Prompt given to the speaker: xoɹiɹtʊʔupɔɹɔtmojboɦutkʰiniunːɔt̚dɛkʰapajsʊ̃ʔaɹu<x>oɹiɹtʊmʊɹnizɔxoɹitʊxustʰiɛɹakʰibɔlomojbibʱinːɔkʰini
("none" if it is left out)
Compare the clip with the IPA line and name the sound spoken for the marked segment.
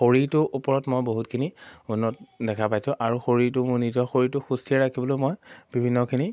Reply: x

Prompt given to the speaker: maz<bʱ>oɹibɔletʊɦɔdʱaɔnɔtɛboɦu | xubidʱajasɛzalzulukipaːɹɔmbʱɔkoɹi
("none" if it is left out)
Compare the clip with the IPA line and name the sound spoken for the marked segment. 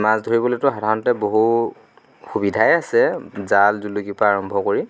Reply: dʱ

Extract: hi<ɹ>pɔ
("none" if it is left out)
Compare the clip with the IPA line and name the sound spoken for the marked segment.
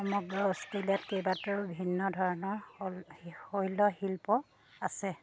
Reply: l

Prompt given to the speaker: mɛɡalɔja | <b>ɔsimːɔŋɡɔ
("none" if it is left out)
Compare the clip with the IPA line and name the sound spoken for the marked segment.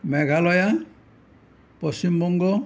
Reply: p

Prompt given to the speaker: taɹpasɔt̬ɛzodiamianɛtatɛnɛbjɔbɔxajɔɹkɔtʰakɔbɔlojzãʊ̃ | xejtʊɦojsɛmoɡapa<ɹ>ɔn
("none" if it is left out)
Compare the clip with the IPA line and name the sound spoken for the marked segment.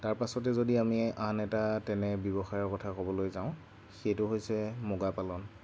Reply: l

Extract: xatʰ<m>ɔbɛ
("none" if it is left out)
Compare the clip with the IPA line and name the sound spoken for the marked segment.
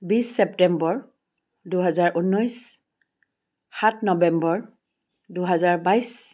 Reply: n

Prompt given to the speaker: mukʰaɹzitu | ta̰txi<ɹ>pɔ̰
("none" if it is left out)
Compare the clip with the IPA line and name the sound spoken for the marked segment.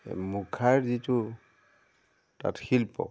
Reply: l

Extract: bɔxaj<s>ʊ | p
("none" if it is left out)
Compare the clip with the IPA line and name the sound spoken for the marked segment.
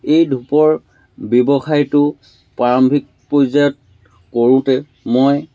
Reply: t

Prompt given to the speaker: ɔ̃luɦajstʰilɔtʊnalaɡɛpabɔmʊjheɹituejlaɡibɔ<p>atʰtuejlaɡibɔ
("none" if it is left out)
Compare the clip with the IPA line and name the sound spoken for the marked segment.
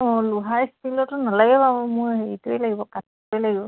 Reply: k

